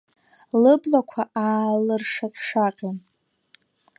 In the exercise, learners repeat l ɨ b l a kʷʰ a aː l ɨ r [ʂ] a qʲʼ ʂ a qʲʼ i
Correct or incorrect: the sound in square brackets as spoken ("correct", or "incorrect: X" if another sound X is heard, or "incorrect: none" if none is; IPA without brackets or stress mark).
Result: correct